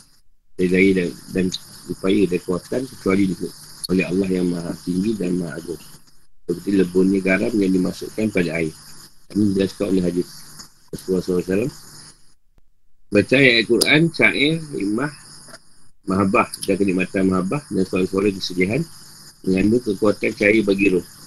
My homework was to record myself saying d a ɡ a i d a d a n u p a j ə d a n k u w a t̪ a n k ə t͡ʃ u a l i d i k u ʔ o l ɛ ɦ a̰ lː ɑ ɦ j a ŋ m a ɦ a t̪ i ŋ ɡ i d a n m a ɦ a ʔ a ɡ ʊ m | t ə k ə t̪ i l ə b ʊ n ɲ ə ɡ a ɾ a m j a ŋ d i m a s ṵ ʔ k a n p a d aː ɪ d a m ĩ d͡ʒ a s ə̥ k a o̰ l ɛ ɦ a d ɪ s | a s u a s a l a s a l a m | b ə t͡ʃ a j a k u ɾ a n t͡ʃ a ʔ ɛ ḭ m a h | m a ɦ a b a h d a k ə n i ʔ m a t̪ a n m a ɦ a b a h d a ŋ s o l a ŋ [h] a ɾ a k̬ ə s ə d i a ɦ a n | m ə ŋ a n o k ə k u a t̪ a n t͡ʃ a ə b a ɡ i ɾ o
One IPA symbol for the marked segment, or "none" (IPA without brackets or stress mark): s